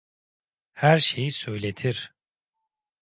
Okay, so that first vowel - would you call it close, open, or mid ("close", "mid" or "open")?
open